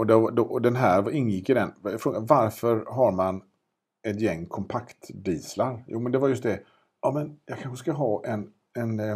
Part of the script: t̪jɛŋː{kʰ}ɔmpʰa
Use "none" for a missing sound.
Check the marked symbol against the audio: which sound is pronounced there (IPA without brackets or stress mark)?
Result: kʰ